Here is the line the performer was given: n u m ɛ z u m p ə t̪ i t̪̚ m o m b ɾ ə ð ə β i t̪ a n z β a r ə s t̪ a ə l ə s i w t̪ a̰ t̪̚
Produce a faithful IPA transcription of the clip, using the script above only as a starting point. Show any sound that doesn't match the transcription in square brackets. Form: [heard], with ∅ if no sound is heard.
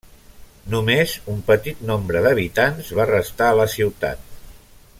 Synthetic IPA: n u m [e] z u m p ə t̪ i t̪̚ [n] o m b ɾ ə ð ə β i t̪ a n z β a r ə s t̪ a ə l ə s i w t̪ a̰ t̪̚

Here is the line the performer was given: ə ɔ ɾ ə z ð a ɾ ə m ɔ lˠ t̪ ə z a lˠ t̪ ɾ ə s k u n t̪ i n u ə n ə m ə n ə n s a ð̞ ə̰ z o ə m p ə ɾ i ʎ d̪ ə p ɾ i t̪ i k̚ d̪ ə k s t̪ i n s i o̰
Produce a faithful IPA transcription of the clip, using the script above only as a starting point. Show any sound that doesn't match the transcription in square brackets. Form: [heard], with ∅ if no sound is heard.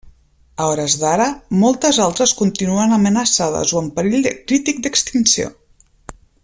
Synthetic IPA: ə ɔ ɾ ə z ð a ɾ ə m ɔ lˠ t̪ ə z a lˠ t̪ ɾ ə s k u n t̪ i n u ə n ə m ə n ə [∅] s a ð̞ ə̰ z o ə m p ə ɾ i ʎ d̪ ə [k] ɾ i t̪ i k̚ d̪ ə k s t̪ i n s i o̰

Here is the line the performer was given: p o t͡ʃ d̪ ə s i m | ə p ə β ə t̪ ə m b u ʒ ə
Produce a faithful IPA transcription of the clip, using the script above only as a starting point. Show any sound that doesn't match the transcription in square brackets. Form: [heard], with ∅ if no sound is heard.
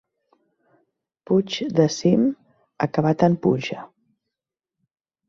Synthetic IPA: p [u] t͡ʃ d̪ ə s i m | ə [k] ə β [a] t̪ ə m [p] u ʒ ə

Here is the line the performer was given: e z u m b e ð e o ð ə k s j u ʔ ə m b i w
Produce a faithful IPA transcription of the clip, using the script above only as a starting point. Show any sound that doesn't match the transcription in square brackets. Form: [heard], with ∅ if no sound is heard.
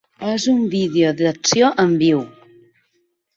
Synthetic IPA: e z u m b [i] ð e o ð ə k s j [o] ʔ ə m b i w

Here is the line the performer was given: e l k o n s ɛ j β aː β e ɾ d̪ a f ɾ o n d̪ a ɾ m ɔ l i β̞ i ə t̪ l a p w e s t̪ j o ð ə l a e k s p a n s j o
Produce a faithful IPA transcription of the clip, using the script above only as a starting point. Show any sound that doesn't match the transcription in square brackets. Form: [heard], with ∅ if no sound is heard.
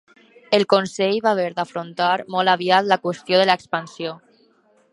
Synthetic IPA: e l k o n s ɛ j β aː β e ɾ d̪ a f ɾ o n [t̪] a ɾ m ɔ l [a] β̞ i [a] t̪ l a [k] w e s t̪ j o ð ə l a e k s p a n s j o

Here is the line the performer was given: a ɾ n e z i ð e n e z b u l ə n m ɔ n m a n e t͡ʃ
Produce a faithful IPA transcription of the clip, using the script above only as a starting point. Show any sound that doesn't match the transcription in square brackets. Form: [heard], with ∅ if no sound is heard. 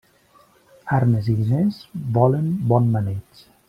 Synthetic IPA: a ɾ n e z i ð [i] n e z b [ɔ] l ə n [b] ɔ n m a n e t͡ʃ

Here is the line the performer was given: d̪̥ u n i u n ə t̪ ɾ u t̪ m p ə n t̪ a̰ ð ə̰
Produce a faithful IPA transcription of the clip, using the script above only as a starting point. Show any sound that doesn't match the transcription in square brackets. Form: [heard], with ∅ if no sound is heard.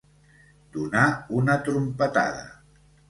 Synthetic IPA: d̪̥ u n [a] u n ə t̪ ɾ u [∅] m p ə [∅] t̪ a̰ ð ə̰

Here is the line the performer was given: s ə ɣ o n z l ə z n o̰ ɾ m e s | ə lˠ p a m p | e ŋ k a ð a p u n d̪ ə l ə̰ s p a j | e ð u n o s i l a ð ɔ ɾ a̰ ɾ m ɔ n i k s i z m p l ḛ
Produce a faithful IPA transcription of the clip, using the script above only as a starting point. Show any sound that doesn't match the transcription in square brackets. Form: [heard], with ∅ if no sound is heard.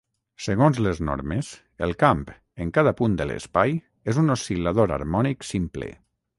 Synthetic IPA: s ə ɣ o n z l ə z n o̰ ɾ m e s | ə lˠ [k] a m p | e ŋ k a ð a p u n d̪ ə l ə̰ s p a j | e [z] u n o s i l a ð [o] ɾ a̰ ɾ m ɔ n i k s i [∅] m p l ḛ

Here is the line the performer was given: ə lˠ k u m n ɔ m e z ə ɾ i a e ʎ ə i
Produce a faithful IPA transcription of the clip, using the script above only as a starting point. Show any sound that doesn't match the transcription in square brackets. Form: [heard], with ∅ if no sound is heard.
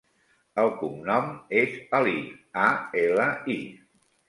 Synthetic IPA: ə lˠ k u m n ɔ m e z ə [l] i a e [l] ə i

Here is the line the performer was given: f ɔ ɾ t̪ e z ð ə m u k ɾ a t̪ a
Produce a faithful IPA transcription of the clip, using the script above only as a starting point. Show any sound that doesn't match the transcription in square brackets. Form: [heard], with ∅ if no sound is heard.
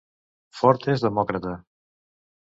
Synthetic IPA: f ɔ ɾ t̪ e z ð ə m [ɔ] k ɾ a t̪ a

